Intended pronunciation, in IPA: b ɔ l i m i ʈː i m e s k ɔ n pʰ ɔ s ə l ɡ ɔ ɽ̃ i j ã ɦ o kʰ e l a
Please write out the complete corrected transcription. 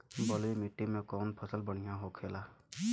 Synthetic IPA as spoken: b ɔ l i m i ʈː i m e k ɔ n pʰ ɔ s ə l b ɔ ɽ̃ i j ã ɦ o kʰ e l a